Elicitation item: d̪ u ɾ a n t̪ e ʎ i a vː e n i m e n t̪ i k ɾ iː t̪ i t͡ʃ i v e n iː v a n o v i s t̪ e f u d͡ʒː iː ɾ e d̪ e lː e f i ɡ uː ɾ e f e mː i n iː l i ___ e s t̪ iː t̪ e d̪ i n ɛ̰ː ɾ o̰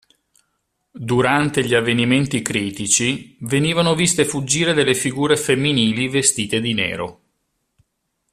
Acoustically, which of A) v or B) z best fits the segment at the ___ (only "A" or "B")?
A